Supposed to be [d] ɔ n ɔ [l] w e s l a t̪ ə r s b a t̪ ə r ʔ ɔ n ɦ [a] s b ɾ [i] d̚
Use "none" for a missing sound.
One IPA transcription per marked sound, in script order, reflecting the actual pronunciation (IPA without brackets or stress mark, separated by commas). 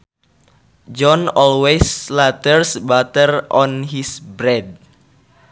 d͡ʒ, l, i, ɛ